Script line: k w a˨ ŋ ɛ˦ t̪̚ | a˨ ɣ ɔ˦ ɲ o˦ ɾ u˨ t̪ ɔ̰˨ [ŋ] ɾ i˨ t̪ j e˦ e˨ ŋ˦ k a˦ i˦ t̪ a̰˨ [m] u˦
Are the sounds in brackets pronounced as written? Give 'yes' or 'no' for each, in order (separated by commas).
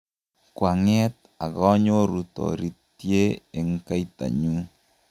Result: no, no